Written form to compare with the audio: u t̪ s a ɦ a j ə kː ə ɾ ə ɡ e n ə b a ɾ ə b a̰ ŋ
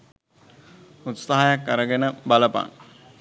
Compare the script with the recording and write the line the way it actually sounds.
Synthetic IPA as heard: u t̪ s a ɦ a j a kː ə ɾ ə ɡ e n ə b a l ə p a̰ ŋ